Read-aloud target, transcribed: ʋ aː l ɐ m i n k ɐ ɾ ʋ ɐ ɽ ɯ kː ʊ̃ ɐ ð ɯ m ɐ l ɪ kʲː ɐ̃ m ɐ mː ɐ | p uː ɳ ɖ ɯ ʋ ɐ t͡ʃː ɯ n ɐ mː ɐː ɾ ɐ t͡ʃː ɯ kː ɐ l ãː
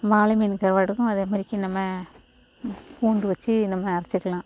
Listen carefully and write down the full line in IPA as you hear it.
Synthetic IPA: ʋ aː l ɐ m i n k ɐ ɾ ʋ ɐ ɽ ɯ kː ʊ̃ ɐ ð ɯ m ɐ ɾ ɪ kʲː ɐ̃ n ɐ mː ɐ | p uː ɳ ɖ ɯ ʋ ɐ t͡ʃː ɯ n ɐ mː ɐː ɾ ɐ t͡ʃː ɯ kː ɐ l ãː